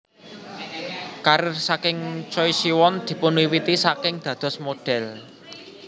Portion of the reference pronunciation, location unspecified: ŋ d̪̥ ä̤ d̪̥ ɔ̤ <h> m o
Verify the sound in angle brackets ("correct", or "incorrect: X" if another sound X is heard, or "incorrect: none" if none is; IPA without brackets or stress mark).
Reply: incorrect: s